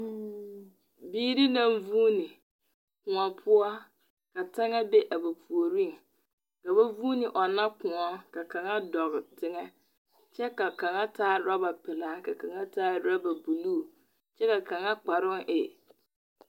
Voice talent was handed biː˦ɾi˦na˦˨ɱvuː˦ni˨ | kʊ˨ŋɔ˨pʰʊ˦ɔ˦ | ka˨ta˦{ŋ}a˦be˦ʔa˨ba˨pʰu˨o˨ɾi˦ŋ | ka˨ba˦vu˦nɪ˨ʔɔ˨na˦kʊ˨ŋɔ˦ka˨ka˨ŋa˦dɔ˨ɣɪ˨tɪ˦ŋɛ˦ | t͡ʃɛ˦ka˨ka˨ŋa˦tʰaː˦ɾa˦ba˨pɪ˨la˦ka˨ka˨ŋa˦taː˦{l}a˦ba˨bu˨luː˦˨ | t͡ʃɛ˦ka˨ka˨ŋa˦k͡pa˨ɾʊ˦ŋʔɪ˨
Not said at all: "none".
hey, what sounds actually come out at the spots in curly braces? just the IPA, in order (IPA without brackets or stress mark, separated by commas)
ŋ, ɾ